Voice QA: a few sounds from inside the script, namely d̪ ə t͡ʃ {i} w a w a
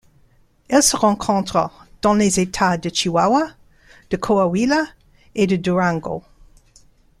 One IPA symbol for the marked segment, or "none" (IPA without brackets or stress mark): i